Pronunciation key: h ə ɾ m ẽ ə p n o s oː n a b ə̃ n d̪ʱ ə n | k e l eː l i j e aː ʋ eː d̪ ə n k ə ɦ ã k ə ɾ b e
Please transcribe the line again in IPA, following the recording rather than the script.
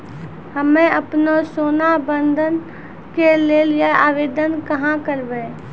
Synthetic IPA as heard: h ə m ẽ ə p n o s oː n a b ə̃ n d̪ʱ ə n | k e l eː l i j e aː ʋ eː d̪ ə n k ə ɦ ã k ə ɾ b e